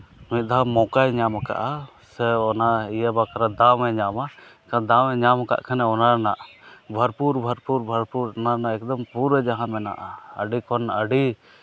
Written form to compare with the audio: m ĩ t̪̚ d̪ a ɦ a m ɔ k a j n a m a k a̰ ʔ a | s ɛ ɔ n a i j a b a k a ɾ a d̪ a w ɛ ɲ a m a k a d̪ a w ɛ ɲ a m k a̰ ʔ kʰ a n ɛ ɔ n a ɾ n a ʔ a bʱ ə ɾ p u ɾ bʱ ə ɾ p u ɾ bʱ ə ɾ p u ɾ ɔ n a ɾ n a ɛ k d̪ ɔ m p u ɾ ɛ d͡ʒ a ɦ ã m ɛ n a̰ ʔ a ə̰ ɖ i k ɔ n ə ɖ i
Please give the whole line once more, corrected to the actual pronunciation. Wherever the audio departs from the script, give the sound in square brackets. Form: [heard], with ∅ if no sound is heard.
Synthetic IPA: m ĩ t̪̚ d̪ a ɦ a m ɔ k a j [ɲ] a m a k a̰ ʔ a | s ɛ ɔ n a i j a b a k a ɾ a d̪ a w ɛ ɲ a m a k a d̪ a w ɛ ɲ a m k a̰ ʔ kʰ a n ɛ ɔ n a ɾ n a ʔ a bʱ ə ɾ p u ɾ bʱ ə ɾ p u ɾ bʱ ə ɾ p u ɾ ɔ n a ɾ n a ɛ k d̪ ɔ m p u ɾ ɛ d͡ʒ a ɦ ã m ɛ n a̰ ʔ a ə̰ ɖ i k ɔ n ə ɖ i